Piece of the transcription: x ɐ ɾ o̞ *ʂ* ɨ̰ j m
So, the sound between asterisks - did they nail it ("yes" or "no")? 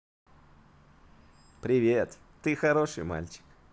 yes